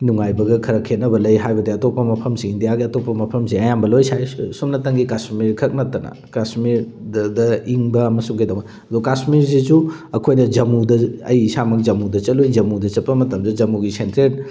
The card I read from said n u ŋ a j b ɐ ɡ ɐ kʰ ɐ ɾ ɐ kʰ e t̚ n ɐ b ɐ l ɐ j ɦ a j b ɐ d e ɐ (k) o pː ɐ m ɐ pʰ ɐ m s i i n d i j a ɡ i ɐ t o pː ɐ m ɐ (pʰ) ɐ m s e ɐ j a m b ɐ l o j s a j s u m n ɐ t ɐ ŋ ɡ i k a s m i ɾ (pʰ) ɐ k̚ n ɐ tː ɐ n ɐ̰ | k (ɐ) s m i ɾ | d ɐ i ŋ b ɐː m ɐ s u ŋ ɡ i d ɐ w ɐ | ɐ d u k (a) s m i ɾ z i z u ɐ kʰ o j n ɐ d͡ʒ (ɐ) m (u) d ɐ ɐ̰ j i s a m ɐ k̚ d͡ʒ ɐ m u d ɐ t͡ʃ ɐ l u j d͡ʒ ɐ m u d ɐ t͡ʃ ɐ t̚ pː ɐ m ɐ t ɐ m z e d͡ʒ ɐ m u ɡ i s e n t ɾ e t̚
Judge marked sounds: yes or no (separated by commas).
no, yes, no, no, yes, yes, yes